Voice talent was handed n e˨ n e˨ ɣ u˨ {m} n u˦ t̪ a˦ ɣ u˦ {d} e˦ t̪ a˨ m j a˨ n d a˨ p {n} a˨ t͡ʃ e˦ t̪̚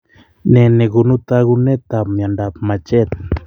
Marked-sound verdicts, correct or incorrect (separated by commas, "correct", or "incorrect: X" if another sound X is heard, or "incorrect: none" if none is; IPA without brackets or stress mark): incorrect: none, incorrect: n, incorrect: m